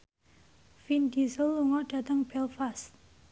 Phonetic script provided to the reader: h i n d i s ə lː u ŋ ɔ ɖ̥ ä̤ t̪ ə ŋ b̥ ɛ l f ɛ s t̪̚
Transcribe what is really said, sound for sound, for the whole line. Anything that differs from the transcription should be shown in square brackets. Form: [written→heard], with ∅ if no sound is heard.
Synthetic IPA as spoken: [h→f] i n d i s ə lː u ŋ ɔ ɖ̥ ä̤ t̪ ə ŋ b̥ ɛ l f [ɛ→a] s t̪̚